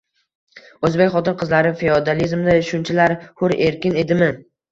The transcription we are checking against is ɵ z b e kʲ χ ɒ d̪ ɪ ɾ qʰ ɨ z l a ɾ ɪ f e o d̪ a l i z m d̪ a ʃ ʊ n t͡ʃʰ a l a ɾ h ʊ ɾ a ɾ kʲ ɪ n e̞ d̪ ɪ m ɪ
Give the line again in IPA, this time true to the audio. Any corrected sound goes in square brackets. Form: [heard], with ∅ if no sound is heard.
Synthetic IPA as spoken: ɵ z b e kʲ χ ɒ [t̪] ɪ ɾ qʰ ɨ z l a ɾ ɪ f e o d̪ a l i z m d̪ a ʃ ʊ n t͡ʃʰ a l a ɾ h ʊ ɾ [e] ɾ kʲ ɪ n e̞ d̪ ɪ m ɪ